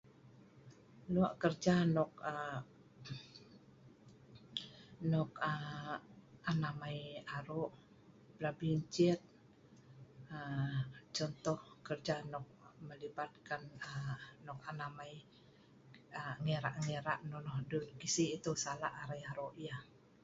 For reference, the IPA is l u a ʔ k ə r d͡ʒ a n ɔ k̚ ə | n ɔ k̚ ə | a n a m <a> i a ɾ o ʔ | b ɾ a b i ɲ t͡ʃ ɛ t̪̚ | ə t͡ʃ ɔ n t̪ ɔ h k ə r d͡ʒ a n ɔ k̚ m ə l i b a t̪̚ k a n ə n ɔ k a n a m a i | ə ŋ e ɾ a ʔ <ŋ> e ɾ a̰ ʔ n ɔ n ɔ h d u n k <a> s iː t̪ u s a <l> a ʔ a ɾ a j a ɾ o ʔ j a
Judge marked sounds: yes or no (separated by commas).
yes, yes, no, yes